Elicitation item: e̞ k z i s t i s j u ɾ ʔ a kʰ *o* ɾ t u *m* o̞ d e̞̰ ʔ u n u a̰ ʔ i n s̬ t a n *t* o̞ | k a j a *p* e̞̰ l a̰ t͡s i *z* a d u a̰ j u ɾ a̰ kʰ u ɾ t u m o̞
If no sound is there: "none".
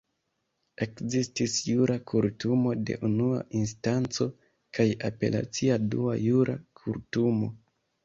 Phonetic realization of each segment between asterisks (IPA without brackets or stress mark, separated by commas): u, m, t͡s, p, none